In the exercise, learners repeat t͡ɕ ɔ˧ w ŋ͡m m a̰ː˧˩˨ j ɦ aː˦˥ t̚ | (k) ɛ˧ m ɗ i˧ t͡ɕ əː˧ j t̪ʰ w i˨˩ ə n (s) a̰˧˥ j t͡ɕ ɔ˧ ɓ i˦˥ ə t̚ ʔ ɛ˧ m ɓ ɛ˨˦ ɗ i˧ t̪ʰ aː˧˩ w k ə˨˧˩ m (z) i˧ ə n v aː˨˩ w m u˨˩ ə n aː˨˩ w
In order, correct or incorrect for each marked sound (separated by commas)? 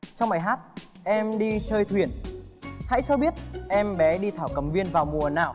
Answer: incorrect, incorrect, incorrect